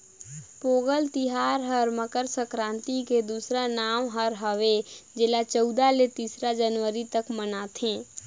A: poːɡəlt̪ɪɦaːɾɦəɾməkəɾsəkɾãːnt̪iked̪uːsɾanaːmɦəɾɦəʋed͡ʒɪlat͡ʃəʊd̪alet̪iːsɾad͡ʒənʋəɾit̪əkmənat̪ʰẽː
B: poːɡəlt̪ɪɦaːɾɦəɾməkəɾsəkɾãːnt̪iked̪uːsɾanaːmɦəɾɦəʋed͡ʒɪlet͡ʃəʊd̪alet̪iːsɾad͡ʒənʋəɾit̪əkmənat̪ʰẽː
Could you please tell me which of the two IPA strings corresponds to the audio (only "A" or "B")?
A